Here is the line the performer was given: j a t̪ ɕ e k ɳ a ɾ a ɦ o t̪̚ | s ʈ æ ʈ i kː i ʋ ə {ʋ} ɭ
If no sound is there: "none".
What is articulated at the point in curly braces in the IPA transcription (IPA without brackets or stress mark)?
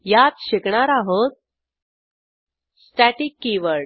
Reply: none